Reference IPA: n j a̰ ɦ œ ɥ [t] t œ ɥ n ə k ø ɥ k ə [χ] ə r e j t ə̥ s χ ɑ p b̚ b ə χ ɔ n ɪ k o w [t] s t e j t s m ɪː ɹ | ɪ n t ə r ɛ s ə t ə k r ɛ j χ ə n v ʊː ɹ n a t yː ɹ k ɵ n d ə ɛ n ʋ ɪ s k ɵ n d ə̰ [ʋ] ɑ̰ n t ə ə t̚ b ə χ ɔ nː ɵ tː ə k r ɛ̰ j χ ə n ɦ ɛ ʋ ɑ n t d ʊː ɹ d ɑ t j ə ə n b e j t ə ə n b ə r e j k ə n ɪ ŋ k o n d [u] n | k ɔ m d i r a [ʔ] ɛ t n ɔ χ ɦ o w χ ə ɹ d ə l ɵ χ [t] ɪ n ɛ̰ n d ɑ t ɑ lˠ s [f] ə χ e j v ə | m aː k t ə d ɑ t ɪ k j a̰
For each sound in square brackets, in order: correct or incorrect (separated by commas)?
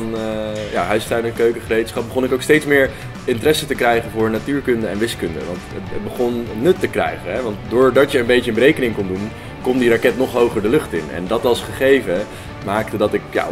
incorrect, correct, incorrect, correct, correct, incorrect, correct, incorrect